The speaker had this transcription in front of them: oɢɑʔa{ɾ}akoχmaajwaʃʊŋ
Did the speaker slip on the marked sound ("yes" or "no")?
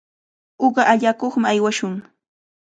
yes